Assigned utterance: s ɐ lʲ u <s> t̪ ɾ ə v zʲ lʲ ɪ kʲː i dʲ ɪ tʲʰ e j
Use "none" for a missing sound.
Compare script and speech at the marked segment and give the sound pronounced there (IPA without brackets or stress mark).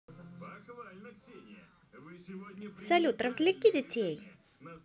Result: none